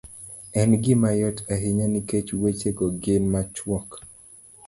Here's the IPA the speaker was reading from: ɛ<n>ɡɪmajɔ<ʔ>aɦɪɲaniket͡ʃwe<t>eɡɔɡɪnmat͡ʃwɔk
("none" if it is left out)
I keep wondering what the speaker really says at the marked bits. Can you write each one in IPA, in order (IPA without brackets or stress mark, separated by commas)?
n, t, t͡ʃ